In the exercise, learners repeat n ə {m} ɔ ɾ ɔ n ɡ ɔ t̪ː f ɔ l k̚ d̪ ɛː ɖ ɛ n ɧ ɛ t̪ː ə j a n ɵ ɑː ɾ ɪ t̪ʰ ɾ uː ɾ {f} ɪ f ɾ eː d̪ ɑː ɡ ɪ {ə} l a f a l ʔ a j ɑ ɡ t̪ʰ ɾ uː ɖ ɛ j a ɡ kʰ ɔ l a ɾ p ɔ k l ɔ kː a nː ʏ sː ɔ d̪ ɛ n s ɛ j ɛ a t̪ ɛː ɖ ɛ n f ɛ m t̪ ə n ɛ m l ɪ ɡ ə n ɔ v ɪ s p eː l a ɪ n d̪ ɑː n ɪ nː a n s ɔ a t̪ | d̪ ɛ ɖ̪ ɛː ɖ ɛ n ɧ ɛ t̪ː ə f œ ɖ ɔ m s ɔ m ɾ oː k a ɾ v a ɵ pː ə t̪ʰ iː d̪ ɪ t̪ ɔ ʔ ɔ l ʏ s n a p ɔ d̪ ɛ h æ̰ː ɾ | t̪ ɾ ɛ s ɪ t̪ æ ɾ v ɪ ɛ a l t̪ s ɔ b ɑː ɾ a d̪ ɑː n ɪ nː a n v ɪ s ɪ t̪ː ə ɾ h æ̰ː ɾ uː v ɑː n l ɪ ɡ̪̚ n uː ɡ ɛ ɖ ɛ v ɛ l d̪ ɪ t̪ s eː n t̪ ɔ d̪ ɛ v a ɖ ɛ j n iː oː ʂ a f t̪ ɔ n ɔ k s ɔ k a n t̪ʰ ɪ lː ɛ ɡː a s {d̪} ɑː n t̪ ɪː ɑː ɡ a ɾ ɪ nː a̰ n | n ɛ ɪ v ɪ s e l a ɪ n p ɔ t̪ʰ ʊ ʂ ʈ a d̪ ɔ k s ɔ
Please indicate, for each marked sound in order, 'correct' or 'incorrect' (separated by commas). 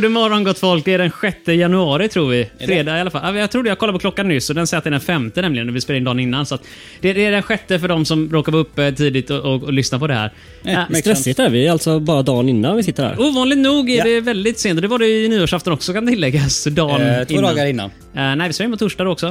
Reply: correct, incorrect, incorrect, correct